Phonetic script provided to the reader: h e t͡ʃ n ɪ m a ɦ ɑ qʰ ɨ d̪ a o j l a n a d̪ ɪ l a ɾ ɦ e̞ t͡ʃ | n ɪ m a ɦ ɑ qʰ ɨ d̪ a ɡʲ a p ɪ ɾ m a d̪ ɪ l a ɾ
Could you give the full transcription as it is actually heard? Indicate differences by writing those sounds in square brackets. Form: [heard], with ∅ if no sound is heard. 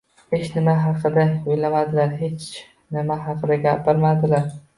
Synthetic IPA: h e t͡ʃ n ɪ m a ɦ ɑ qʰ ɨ d̪ a o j l a [m] a d̪ ɪ l a ɾ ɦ e̞ t͡ʃ | n ɪ m a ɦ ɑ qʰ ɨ d̪ a ɡʲ a p ɪ ɾ m a d̪ ɪ l a ɾ